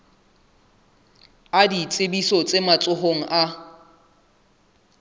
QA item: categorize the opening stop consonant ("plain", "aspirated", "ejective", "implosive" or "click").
plain